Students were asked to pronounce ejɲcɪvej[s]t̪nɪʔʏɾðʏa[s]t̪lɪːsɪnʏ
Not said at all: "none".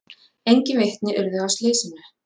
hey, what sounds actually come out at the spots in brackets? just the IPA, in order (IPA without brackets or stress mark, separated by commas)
h, s